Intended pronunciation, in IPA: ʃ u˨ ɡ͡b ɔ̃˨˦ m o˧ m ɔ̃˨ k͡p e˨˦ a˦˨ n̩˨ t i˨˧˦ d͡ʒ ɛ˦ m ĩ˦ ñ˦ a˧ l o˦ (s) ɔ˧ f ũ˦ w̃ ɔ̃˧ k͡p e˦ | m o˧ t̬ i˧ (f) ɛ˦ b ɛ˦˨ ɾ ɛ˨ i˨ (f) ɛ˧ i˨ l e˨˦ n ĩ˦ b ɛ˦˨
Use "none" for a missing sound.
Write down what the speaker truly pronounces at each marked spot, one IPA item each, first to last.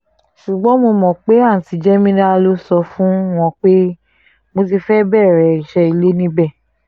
s, f, ʃ

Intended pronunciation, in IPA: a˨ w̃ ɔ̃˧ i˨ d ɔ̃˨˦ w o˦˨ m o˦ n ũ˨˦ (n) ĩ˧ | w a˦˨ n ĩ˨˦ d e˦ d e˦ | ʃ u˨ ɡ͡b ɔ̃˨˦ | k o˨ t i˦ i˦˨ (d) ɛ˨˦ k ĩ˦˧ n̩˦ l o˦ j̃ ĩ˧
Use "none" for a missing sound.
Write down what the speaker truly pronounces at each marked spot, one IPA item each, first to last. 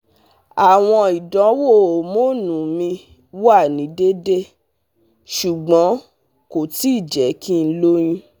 m, d͡ʒ

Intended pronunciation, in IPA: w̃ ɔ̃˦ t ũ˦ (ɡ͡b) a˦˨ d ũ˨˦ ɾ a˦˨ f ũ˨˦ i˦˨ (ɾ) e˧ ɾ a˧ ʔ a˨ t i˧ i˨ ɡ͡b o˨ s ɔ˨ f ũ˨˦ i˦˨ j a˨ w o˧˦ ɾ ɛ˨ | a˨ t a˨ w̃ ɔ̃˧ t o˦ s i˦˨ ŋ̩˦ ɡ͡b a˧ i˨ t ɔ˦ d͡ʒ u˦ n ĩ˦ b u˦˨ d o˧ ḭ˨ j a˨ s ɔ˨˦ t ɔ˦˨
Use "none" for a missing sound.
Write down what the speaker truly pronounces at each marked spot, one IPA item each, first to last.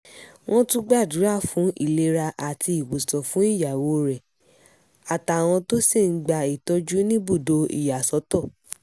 ɡ͡b, l

